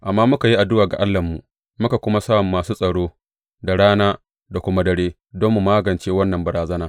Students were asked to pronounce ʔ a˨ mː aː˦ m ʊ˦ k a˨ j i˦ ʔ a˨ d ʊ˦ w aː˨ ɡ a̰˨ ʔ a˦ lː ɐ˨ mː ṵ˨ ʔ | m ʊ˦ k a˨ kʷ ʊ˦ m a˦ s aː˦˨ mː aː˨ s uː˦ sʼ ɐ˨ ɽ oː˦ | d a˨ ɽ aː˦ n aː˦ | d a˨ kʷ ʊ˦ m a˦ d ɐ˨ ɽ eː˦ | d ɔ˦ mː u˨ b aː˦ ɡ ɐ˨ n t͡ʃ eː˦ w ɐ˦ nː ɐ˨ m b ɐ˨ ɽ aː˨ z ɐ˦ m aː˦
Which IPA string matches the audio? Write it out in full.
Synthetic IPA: ʔ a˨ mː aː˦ m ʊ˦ k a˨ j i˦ ʔ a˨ d ʊ˦ w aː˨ ɡ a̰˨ ʔ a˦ lː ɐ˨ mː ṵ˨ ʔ | m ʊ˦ k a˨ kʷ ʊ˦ m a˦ s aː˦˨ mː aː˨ s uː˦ sʼ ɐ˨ ɽ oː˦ | d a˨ ɽ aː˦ n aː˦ | d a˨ kʷ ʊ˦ m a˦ d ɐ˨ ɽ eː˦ | d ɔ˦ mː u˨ m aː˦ ɡ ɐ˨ n t͡ʃ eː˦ w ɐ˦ nː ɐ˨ m b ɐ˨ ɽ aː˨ z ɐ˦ n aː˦